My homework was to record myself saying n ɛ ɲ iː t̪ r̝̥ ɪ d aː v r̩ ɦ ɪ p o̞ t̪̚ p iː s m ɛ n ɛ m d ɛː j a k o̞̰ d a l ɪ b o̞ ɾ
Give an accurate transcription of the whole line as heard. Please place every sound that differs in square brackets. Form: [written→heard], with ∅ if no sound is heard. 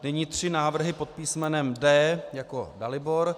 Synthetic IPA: n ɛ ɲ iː t̪ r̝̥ ɪ [d→n] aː v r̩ ɦ ɪ p o̞ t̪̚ p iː s m ɛ n ɛ m d ɛː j a k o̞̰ d a l ɪ b o̞ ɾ